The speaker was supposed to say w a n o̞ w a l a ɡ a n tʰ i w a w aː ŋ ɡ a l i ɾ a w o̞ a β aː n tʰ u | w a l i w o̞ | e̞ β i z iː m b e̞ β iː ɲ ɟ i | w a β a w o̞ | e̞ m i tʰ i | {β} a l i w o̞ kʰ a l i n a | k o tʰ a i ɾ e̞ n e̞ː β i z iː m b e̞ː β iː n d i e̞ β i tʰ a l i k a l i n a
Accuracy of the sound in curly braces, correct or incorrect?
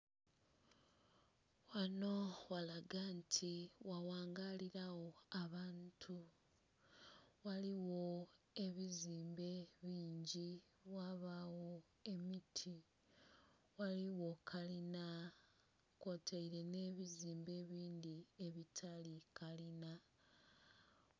incorrect